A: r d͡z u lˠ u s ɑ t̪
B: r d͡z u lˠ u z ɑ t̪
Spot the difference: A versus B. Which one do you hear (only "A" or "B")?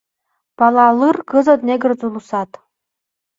A